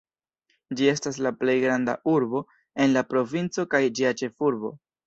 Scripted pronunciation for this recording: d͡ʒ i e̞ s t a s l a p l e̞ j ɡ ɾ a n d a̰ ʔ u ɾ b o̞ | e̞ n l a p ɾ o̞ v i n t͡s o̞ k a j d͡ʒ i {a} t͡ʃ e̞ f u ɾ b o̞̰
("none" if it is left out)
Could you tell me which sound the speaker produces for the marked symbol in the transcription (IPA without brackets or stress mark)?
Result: a